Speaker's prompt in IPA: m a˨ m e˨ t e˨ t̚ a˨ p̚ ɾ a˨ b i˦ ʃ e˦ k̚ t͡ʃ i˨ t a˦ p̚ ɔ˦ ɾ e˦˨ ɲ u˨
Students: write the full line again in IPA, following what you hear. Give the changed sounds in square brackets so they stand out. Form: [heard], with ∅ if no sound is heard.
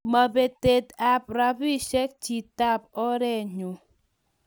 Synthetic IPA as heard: m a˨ [b] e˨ t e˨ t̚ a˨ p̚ ɾ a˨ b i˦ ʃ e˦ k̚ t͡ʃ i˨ t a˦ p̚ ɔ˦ ɾ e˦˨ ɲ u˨